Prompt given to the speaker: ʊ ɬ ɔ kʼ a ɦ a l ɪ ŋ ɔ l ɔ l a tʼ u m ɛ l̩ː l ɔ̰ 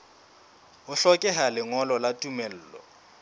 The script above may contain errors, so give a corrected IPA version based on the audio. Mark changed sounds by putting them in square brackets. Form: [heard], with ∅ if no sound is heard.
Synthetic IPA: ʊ ɬ ɔ kʼ [ɛ] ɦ a l ɪ ŋ ɔ l ɔ l a tʼ u m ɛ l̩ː l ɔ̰